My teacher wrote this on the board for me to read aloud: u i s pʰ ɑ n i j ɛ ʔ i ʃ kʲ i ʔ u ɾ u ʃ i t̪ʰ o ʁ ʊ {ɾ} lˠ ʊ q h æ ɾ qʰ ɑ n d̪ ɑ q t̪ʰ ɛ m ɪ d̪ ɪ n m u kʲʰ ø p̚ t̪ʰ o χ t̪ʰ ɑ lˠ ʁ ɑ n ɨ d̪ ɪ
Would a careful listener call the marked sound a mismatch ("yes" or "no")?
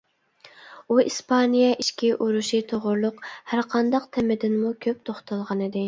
no